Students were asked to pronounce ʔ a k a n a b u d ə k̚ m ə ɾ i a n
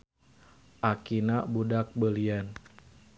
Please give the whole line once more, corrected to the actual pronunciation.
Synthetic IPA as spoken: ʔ a k i n a b u d a k̚ b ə l i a n